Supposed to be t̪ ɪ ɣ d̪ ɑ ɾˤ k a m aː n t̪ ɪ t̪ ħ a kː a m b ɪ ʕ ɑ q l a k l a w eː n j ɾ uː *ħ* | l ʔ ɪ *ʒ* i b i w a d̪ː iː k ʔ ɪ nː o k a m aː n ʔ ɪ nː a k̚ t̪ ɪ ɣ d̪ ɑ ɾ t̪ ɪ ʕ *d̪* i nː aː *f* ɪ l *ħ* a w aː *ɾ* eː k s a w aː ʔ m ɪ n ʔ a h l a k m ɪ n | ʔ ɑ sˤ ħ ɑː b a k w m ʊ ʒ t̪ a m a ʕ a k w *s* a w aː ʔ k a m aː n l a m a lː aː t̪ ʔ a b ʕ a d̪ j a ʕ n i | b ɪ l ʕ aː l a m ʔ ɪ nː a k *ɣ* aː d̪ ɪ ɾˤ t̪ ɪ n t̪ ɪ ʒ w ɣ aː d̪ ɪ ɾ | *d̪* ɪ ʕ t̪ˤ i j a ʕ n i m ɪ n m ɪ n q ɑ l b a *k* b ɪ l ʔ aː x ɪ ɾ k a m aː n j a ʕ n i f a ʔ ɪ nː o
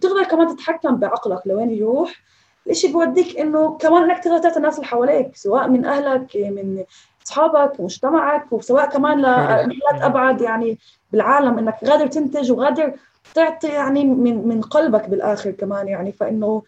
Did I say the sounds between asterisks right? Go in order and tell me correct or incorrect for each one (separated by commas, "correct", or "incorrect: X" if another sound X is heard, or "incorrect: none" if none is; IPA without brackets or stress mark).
correct, incorrect: ʃ, incorrect: t̪, incorrect: s, correct, incorrect: l, correct, correct, incorrect: t̪, correct